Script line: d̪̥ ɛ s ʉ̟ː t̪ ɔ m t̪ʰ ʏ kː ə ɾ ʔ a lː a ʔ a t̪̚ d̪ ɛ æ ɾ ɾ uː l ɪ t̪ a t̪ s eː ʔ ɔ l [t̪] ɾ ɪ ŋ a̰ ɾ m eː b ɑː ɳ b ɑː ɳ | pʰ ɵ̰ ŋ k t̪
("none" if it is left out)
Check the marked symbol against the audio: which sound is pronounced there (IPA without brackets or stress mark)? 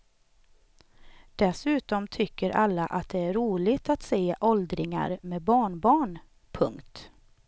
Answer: d̪